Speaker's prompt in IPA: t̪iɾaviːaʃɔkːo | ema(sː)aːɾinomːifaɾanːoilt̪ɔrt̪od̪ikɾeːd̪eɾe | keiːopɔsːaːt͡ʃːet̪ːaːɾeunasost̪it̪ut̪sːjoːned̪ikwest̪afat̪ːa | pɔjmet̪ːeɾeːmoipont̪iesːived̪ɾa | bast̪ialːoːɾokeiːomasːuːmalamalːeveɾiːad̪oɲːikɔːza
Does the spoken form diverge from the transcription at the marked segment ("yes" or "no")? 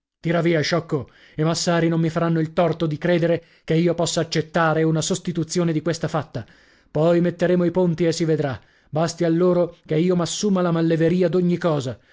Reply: no